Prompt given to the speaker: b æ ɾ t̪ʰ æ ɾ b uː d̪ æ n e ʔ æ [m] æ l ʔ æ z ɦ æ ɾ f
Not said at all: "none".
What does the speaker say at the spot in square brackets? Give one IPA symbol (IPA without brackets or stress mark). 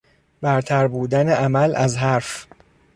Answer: m